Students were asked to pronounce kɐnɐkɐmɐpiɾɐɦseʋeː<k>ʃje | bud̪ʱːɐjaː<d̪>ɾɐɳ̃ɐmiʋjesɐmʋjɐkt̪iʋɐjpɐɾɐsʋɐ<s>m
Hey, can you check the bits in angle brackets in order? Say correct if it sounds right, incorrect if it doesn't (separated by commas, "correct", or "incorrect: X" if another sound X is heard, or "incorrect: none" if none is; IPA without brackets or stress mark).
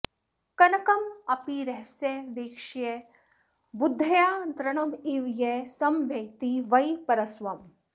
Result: correct, correct, incorrect: none